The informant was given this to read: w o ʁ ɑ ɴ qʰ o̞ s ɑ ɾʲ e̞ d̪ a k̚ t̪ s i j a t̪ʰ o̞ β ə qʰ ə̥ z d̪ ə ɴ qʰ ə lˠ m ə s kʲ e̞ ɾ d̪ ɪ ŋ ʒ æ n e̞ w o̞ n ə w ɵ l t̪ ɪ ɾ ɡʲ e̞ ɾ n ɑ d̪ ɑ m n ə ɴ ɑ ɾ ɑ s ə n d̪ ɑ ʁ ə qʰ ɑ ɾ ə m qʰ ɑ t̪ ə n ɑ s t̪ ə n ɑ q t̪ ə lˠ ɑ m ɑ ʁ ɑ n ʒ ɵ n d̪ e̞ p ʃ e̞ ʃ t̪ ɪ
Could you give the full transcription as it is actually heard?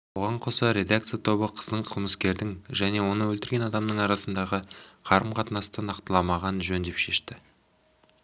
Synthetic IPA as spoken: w o ʁ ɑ ɴ qʰ o̞ s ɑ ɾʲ e̞ d̪ a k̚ t̪ s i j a t̪ʰ o̞ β ə qʰ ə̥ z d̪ ə ɴ qʰ ə lˠ m ə s kʲ e̞ ɾ d̪ ɪ ŋ ʒ æ n e̞ w o̞ n ə w ɵ l t̪ ɪ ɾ ɡʲ e̞ n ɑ d̪ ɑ m n ə ɴ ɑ ɾ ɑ s ə n d̪ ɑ ʁ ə qʰ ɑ ɾ ə m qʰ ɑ t̪ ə n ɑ s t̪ ə n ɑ q t̪ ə lˠ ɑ m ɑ ʁ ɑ n ʒ ɵ n d̪ e̞ p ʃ e̞ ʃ t̪ ɪ